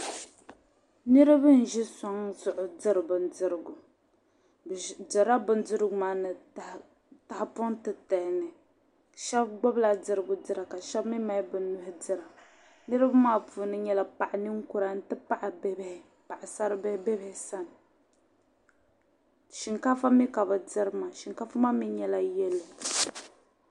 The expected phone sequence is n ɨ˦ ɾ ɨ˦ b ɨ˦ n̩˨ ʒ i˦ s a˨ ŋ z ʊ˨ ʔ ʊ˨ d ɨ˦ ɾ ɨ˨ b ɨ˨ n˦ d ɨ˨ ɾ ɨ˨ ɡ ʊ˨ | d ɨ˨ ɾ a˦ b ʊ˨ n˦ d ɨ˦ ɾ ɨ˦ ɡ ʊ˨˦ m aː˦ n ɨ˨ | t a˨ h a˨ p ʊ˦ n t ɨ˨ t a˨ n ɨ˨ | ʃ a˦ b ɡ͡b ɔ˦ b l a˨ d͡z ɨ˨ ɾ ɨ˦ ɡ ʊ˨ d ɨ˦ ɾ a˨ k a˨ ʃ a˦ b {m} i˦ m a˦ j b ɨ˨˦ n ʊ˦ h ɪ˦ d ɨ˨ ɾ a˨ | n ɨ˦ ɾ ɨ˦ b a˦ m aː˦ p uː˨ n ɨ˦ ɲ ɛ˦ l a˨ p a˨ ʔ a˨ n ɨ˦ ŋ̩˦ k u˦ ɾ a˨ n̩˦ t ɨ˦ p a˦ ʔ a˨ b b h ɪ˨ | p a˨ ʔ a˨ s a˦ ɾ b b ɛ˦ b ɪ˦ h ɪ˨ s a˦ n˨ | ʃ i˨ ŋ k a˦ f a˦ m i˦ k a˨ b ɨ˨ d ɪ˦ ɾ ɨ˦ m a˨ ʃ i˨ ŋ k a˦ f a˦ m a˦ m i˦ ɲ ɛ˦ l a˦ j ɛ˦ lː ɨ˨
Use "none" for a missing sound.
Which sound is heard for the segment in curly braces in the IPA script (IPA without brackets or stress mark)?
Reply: m